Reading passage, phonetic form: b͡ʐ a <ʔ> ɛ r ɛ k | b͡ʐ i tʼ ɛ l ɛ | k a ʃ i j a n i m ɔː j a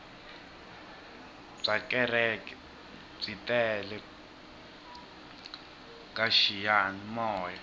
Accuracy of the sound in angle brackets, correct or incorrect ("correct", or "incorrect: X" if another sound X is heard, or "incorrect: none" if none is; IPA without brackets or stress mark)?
incorrect: k